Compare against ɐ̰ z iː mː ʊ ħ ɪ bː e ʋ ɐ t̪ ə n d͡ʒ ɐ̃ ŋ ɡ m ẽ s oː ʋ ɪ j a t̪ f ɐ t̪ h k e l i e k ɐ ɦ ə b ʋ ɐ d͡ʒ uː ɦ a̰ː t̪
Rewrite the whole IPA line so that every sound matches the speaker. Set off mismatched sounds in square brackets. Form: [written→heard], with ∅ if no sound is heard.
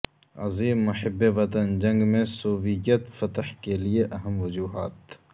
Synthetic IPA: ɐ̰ z iː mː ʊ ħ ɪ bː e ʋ ɐ t̪ ə n d͡ʒ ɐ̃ ŋ ɡ m ẽ s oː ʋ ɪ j [a→ə] t̪ f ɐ t̪ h k e l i e [k→ʔ] ɐ ɦ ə [b→m] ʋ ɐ d͡ʒ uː ɦ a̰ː t̪